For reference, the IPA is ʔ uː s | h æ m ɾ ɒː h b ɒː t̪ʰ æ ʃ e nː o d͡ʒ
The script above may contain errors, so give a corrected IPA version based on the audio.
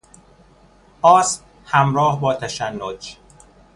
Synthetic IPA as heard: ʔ ɒː s | h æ m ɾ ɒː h b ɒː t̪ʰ æ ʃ æ nː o d͡ʒ

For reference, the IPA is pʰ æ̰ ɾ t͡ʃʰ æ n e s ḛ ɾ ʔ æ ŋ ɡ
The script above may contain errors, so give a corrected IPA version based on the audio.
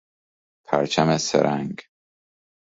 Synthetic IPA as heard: pʰ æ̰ ɾ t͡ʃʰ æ m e s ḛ ɾ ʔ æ ŋ ɡ

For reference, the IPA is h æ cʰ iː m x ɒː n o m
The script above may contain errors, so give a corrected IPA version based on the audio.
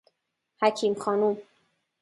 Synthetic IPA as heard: h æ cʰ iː m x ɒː n u m

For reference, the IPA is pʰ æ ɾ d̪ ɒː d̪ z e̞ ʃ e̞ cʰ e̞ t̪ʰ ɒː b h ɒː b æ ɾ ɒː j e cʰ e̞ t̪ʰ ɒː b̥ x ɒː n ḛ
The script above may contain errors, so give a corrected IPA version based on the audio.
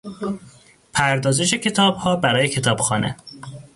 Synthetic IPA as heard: pʰ æ ɾ d̪ ɒː z e̞ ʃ e̞ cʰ e̞ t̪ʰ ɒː b h ɒː b æ ɾ ɒː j e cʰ e̞ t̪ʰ ɒː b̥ x ɒː n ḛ

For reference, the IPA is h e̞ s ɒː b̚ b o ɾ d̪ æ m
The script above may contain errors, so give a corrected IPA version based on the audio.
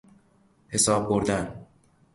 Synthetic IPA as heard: h e̞ s ɒː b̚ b o ɾ d̪ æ n

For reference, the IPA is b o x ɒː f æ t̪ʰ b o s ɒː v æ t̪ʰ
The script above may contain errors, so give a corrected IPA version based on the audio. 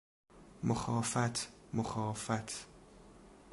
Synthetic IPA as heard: m o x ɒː f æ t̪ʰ m o x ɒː f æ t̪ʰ

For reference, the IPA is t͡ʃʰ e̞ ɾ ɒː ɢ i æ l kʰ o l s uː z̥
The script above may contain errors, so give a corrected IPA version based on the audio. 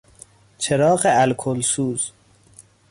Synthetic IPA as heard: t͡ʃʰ e̞ ɾ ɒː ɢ e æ l kʰ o l s uː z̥

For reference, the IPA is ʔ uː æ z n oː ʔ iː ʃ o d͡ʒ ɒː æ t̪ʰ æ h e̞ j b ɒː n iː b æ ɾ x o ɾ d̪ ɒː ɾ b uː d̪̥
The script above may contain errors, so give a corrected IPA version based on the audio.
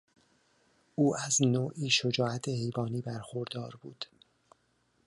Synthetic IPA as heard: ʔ uː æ z n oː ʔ iː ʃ o d͡ʒ ɒː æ t̪ʰ e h e̞ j b ɒː n iː b æ ɾ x o ɾ d̪ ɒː ɾ b uː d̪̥

